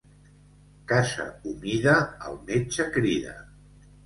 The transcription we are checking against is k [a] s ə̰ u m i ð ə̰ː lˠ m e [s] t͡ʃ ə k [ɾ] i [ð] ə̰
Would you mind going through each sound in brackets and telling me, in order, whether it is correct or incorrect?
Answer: correct, incorrect: none, correct, correct

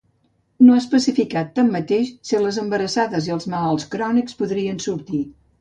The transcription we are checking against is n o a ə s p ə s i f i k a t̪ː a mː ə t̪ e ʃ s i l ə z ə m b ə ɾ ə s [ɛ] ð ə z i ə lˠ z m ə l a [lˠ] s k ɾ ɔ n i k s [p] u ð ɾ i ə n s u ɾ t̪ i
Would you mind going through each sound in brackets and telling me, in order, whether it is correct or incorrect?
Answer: incorrect: a, correct, correct

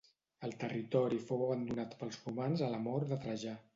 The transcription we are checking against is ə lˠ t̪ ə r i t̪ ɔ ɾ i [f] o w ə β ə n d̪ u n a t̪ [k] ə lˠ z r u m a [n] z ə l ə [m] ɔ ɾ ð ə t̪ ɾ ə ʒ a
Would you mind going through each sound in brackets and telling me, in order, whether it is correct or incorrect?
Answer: correct, incorrect: p, correct, correct

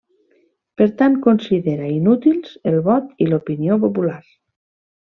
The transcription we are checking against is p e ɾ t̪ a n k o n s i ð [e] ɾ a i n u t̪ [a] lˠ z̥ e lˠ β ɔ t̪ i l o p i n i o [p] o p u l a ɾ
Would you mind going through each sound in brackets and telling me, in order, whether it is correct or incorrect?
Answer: correct, incorrect: i, correct

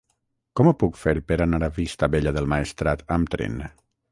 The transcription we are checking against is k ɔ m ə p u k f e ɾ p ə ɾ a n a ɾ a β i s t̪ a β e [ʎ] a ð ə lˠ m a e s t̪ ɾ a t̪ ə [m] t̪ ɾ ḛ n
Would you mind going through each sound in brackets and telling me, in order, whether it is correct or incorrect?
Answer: correct, correct

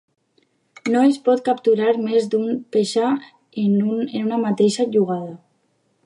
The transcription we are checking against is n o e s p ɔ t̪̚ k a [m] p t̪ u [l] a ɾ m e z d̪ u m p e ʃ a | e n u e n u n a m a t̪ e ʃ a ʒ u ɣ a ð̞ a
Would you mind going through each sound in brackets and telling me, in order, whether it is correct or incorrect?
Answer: incorrect: none, incorrect: ɾ

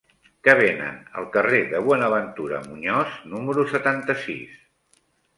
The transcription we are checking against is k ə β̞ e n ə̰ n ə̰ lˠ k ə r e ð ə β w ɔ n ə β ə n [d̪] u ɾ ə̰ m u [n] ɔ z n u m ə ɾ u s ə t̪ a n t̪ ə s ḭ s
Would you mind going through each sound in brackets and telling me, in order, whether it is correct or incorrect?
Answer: incorrect: t̪, incorrect: ɲ

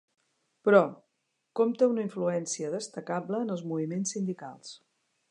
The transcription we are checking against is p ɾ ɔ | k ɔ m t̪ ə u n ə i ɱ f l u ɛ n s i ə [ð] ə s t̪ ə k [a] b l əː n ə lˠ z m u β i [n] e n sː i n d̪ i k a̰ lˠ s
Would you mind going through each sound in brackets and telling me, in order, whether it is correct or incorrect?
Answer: correct, correct, incorrect: m

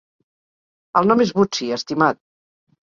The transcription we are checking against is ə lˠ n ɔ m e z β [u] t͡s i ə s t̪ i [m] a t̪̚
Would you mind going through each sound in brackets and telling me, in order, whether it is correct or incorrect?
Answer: correct, correct

